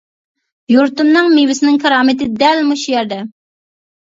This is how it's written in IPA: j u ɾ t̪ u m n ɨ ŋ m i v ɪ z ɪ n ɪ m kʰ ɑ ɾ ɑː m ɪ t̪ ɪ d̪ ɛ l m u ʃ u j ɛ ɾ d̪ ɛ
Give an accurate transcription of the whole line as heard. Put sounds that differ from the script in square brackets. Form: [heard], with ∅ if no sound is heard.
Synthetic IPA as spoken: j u ɾ t̪ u m n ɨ ŋ m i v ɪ [s] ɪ n ɪ [ŋ] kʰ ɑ ɾ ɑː m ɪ t̪ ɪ d̪ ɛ l m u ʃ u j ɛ ɾ d̪ ɛ